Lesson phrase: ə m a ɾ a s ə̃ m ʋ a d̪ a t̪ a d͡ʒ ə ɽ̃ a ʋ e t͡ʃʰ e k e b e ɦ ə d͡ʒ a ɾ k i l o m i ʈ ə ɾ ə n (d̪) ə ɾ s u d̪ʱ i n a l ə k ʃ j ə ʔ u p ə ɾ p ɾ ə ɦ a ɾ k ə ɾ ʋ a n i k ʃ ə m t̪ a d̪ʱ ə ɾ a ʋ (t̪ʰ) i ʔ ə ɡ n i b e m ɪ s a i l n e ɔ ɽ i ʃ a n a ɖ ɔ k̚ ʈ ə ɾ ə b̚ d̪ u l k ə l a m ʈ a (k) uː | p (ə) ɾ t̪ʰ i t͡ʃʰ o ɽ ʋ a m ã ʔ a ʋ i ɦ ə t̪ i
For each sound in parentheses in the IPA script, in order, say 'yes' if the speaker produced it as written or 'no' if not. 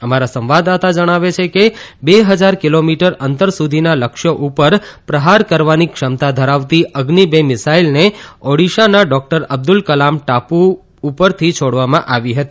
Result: no, no, no, yes

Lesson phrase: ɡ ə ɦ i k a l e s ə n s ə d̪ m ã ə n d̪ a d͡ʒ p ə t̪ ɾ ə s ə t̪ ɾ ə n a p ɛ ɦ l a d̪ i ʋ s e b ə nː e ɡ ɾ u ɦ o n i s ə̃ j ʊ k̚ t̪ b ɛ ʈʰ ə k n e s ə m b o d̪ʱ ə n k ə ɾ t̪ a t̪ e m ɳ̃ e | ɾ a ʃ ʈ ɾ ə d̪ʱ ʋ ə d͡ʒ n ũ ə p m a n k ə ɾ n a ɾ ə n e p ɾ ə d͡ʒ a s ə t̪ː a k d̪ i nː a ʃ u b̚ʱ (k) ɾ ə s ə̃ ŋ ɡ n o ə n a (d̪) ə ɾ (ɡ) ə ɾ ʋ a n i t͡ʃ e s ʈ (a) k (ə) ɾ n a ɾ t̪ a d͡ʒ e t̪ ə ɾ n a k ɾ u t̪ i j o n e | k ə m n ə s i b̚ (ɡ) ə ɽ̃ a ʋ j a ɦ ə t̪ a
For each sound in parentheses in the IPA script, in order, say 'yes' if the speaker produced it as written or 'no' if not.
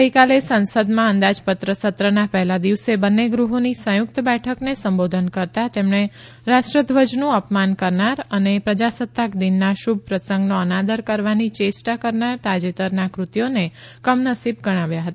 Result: no, yes, no, yes, yes, yes

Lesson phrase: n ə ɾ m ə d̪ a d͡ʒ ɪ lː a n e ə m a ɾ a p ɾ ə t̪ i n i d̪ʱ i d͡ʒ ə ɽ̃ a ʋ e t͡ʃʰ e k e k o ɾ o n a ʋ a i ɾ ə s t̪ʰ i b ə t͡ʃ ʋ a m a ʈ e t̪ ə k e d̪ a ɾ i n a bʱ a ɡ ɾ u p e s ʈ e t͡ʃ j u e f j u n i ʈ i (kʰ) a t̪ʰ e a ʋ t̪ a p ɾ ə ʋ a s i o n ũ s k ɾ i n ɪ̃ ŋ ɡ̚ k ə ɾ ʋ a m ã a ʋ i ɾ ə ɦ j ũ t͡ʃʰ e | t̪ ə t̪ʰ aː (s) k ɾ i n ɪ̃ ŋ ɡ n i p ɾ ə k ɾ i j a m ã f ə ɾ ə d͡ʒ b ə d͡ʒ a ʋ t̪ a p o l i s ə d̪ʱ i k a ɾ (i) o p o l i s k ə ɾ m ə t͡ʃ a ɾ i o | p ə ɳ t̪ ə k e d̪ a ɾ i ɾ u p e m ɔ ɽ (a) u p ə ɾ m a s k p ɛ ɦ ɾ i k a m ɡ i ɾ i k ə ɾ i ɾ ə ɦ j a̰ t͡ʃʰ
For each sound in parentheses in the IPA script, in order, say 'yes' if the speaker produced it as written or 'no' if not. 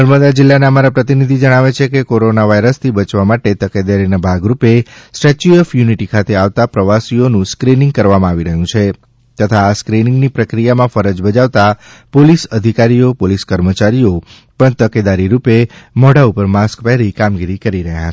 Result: yes, yes, yes, yes

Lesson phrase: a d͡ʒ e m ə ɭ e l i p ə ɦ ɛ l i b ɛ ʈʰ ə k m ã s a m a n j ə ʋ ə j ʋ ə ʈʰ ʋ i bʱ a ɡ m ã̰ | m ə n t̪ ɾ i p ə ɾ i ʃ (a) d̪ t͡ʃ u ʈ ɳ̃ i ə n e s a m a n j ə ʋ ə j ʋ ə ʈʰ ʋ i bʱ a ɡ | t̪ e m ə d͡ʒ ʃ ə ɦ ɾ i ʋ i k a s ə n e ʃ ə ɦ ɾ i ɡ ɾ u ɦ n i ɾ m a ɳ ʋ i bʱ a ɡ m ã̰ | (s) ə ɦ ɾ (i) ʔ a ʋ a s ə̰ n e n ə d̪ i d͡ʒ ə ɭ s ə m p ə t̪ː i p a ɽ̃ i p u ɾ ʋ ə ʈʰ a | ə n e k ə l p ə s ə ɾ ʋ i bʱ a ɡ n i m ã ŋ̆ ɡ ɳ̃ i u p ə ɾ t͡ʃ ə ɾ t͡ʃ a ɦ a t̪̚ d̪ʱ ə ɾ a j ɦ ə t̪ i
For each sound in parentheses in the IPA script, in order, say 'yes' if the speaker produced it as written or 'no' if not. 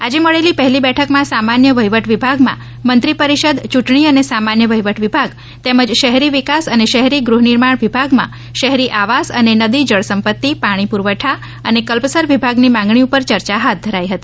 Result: no, no, yes

